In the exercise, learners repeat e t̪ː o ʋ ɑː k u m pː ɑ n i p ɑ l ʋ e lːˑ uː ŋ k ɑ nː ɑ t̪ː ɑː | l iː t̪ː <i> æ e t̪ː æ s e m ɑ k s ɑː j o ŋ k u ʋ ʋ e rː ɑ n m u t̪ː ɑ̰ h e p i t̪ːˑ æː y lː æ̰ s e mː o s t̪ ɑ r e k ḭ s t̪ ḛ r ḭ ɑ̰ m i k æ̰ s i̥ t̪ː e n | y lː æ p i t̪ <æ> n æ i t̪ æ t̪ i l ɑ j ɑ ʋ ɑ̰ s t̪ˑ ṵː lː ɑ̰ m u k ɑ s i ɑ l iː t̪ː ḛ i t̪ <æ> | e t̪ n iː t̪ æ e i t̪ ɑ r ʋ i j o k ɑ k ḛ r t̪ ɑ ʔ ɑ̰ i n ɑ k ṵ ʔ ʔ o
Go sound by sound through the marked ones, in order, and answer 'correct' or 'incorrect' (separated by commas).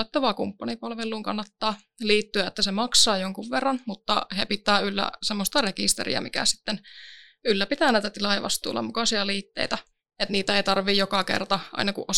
incorrect, incorrect, correct